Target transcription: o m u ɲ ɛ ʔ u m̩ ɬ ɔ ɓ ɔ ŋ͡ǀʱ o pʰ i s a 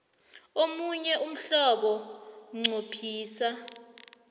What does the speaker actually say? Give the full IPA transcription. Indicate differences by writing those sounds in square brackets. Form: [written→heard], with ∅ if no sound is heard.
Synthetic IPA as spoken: o m u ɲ ɛ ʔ u m̩ ɬ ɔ ɓ ɔ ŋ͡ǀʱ o pʰ [i→iː] s a